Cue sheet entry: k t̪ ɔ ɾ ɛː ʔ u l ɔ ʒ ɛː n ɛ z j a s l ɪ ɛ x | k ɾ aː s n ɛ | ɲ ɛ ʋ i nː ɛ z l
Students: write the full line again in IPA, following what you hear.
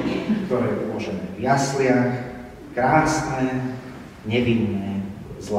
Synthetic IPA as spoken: k t̪ ɔ ɾ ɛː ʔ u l ɔ ʒ ɛ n ɛ v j a s l ɪ a x | k ɾ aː s n ɛ | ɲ ɛ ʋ i nː ɛ z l